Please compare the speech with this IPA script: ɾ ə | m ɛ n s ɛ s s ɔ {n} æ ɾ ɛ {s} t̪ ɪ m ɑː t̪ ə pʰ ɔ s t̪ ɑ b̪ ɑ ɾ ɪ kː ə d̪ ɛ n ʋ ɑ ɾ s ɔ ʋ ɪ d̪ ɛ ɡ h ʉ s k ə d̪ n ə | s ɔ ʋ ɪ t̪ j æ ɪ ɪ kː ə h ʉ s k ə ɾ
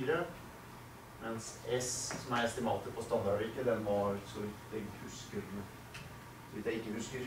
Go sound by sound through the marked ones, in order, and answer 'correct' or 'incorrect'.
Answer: incorrect: m, correct

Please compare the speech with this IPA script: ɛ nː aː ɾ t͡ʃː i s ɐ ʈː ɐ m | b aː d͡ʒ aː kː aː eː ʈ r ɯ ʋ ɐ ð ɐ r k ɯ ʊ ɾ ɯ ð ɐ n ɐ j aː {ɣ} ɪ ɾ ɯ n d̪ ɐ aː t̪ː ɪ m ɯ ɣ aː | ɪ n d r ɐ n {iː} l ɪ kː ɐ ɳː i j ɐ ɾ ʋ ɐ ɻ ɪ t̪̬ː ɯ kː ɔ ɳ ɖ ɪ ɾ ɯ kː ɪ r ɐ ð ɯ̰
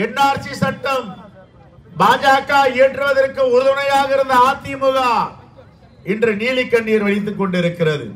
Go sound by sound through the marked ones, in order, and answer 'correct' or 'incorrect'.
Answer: correct, correct

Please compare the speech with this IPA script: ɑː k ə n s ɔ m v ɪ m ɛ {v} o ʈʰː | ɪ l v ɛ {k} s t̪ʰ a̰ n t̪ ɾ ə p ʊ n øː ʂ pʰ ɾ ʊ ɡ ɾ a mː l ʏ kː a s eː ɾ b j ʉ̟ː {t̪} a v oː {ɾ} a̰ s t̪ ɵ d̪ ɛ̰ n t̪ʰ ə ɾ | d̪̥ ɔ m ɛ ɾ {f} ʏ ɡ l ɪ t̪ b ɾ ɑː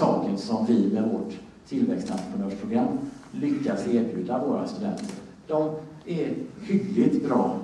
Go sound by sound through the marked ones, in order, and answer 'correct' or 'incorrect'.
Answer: correct, correct, incorrect: d̪, correct, incorrect: h

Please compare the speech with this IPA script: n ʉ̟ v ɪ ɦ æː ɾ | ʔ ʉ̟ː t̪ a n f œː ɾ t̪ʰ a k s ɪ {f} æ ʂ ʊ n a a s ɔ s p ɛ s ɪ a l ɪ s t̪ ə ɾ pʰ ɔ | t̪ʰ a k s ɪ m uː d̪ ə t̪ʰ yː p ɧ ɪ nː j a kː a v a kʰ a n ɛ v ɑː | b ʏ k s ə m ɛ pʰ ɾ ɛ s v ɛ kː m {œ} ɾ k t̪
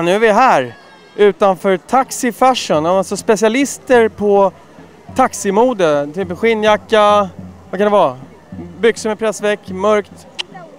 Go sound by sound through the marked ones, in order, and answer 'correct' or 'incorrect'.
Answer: correct, correct

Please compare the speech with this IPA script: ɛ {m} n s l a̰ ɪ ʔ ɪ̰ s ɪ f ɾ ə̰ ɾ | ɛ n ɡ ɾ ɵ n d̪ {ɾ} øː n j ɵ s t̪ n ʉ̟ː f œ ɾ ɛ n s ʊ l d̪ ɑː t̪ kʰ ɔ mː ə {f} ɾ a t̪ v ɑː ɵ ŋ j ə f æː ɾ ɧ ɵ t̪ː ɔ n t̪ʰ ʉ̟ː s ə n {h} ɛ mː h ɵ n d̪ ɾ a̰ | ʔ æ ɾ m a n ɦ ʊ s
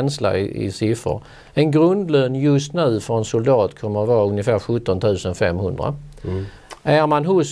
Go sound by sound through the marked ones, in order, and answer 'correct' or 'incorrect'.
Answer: incorrect: none, incorrect: l, incorrect: none, incorrect: f

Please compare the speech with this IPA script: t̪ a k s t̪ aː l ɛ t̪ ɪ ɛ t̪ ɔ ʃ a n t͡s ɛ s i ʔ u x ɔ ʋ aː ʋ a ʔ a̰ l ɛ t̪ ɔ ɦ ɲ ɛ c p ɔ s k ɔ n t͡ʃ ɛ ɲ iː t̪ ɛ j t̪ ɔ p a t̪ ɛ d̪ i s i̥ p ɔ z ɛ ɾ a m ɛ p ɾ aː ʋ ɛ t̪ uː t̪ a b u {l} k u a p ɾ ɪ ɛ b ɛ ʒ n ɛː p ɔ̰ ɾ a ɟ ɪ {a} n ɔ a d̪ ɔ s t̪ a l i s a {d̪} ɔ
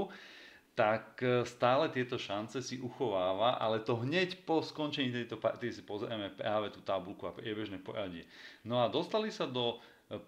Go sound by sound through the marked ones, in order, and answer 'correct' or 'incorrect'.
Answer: correct, incorrect: ɛ, correct

